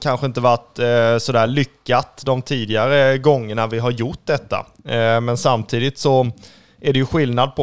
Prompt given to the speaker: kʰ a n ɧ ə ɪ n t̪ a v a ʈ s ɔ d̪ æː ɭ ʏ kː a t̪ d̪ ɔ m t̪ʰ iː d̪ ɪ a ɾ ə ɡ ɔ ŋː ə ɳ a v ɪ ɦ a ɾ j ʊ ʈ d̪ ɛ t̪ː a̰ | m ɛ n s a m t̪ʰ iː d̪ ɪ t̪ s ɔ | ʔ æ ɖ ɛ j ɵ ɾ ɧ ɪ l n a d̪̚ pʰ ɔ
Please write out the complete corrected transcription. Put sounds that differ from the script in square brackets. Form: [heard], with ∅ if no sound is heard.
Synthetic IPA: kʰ a n ɧ ə ɪ n t̪ [ə] v a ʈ s ɔ d̪ æː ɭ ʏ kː a t̪ d̪ ɔ m t̪ʰ iː d̪ ɪ a ɾ ə ɡ ɔ ŋː ə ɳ a v ɪ ɦ a ɾ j ʊ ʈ d̪ ɛ t̪ː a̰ | m ɛ n s a m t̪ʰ iː d̪ ɪ t̪ s ɔ | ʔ æ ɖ ɛ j ɵ [∅] ɧ ɪ l n a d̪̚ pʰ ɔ